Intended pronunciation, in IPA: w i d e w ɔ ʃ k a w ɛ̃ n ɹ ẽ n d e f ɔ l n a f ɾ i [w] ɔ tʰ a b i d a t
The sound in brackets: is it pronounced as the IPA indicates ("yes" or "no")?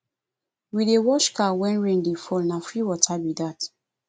yes